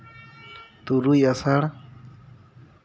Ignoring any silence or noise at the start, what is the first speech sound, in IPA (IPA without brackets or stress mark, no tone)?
t̪